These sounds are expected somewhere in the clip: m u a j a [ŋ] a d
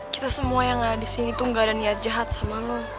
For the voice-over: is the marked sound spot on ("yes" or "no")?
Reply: yes